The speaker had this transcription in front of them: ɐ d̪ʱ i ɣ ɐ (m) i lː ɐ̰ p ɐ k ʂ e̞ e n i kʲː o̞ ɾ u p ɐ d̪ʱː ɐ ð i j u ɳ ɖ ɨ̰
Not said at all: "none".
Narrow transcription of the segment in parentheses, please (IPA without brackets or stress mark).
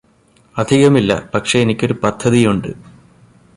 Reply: m